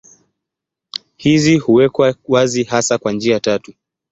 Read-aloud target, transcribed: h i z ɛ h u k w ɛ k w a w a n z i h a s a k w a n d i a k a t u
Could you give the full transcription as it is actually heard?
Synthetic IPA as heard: h i z i h u w ɛ k w a w a z i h a s a k w a n d͡ʒ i a t a t u